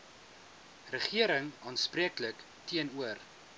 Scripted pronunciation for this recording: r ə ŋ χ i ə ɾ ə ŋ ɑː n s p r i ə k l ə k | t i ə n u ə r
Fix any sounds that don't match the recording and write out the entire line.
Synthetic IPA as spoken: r ə χ i ə ɾ ə ŋ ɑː n s p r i ə k l ə k | t i ə n u ə r